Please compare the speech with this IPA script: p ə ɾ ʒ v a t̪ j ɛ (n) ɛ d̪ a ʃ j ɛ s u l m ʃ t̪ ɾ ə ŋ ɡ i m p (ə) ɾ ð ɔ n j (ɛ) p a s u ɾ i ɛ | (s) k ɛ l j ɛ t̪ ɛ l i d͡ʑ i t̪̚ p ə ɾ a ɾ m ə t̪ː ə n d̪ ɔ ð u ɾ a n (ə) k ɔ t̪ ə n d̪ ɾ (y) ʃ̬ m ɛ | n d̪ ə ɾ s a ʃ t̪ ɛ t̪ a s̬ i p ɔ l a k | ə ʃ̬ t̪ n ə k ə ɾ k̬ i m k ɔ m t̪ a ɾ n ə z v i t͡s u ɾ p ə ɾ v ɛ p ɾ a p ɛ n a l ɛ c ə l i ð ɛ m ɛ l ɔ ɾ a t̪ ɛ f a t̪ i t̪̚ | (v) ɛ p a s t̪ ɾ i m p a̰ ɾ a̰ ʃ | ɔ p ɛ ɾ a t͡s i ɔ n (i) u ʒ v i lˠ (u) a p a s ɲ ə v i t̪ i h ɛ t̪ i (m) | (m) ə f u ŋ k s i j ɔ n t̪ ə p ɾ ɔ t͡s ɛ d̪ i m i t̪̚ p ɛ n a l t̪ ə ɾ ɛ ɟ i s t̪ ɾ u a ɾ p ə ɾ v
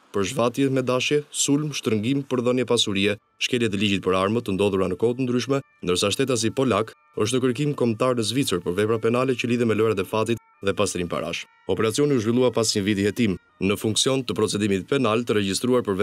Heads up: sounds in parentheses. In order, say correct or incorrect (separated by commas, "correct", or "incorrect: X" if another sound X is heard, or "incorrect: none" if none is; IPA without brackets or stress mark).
incorrect: m, correct, correct, incorrect: ʃ, correct, correct, incorrect: ð, correct, correct, correct, incorrect: n